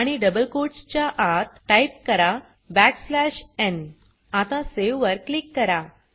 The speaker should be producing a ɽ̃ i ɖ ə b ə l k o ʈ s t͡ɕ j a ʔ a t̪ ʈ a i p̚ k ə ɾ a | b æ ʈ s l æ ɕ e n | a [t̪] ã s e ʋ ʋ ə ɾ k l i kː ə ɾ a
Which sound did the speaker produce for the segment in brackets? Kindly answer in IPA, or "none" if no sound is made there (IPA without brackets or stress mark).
t̪